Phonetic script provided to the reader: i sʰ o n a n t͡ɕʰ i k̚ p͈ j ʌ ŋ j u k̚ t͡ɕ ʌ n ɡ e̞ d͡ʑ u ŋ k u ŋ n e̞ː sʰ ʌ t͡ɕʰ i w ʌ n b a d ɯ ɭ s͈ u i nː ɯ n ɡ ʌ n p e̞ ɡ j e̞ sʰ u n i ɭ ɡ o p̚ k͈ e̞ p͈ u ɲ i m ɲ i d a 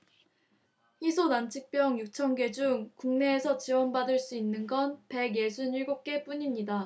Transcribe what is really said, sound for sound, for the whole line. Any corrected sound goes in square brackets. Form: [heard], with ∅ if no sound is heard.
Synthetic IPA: i sʰ o n a n t͡ɕʰ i k̚ p͈ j ʌ ŋ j u k̚ [t͡ɕʰ] ʌ n ɡ e̞ d͡ʑ u ŋ k u ŋ n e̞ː sʰ ʌ [t͡ɕ] i w ʌ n b a d ɯ ɭ s͈ u i nː ɯ n ɡ ʌ n p e̞ ɡ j e̞ sʰ u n i ɭ ɡ o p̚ k͈ e̞ p͈ u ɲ i m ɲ i d a